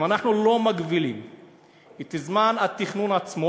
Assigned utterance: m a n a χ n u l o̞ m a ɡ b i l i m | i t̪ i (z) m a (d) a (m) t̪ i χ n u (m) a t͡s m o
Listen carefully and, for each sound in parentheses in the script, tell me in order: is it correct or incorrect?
correct, incorrect: n, incorrect: none, incorrect: n

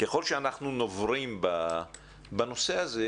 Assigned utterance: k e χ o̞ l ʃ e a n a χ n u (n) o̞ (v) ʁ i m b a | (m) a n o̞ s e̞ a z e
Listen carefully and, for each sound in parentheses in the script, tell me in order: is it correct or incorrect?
correct, correct, incorrect: b

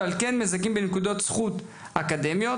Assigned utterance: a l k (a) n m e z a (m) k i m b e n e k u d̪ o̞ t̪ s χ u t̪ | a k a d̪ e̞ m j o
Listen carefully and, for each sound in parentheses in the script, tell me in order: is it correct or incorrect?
incorrect: e, incorrect: none

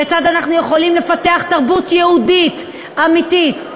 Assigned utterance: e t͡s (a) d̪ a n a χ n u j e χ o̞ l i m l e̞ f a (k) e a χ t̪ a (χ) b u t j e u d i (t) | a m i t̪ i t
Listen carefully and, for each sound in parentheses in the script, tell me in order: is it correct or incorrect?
correct, incorrect: t, incorrect: ʁ, correct

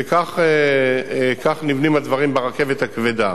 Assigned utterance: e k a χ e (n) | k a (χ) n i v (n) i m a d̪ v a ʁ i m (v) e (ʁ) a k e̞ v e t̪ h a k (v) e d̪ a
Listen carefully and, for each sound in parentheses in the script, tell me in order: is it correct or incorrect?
incorrect: none, correct, correct, incorrect: b, correct, correct

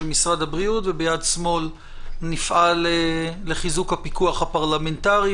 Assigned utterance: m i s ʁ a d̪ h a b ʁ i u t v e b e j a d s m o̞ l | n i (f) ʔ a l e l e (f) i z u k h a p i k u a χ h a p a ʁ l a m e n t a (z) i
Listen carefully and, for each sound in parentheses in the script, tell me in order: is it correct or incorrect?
correct, incorrect: χ, incorrect: ʁ

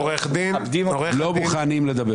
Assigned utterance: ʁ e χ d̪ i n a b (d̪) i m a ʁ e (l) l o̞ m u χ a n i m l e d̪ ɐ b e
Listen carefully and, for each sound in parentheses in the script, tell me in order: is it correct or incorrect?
correct, correct

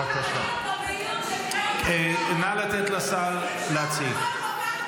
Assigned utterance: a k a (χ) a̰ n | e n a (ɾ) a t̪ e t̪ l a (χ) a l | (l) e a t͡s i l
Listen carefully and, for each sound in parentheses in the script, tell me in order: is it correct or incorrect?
incorrect: ʃ, incorrect: l, incorrect: s, correct

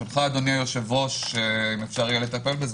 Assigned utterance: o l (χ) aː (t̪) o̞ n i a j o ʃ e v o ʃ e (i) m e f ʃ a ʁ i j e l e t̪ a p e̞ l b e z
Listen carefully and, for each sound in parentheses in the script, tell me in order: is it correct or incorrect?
correct, incorrect: d̪, correct

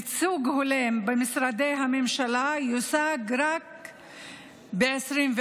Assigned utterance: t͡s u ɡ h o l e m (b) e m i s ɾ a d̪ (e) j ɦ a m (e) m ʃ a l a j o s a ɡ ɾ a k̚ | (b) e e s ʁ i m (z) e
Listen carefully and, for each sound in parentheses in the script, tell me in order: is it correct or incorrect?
correct, correct, correct, correct, incorrect: v

